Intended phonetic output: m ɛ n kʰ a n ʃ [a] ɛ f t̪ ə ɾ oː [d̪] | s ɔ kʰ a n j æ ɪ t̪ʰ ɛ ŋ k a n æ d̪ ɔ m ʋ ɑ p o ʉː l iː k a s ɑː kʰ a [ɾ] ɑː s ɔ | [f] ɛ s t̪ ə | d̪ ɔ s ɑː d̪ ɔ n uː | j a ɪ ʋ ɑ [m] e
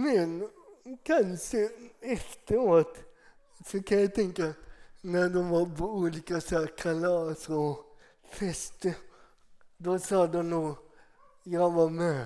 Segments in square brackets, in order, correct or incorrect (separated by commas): incorrect, incorrect, incorrect, correct, correct